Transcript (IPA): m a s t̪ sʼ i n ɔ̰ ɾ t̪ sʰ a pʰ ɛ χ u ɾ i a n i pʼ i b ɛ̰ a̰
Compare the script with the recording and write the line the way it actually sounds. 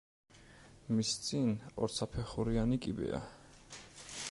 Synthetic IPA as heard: m i s t̪ sʼ i n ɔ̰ ɾ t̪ sʰ a pʰ ɛ χ u ɾ i a n i kʼ i b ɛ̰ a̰